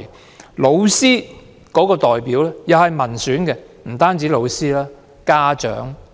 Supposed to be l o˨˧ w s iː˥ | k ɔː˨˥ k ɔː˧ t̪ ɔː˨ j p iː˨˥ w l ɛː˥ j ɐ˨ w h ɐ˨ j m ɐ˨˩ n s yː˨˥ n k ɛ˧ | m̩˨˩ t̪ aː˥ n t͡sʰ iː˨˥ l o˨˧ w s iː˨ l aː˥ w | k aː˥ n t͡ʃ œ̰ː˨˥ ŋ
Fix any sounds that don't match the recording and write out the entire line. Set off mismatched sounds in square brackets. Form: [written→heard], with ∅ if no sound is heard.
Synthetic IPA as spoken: l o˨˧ w s iː˥ | k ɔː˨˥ k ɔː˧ t̪ ɔː˨ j p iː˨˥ w l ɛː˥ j ɐ˨ w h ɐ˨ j m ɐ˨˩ n s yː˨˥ n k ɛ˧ | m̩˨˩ t̪ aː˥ n [t͡sʰ→t͡s] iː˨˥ l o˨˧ w s [iː˨→iː˥] l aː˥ [w→∅] | k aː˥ [n→∅] t͡ʃ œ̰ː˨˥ ŋ